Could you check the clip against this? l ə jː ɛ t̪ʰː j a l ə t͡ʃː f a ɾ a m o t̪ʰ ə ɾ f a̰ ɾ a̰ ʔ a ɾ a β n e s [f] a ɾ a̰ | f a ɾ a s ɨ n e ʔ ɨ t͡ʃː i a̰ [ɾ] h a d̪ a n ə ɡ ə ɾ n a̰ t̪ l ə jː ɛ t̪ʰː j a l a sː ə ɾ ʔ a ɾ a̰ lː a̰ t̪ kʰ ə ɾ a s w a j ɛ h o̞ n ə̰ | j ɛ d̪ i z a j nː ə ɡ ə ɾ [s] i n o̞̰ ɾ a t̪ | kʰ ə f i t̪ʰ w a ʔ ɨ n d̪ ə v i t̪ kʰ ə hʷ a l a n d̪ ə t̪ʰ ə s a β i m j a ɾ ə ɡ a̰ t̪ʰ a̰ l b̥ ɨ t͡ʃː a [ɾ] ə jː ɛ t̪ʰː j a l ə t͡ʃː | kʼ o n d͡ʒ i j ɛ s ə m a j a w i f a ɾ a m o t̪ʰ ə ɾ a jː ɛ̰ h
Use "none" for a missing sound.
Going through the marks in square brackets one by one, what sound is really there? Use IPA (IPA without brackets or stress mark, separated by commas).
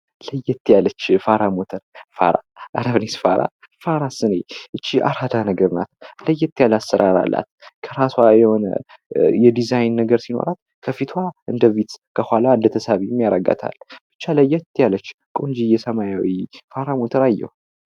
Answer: f, ɾ, s, l